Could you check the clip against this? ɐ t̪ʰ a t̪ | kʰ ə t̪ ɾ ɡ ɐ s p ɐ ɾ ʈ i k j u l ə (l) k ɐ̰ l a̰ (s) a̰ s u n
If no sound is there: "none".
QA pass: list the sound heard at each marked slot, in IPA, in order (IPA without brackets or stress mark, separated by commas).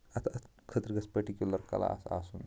ɾ, s